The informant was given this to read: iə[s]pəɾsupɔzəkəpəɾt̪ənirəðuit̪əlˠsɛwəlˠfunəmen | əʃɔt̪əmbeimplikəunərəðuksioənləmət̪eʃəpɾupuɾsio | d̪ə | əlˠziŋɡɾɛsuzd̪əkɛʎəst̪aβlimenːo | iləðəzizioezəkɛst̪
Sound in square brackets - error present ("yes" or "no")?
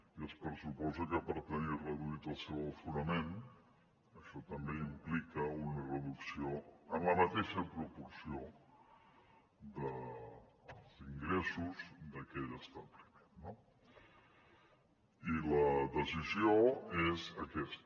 no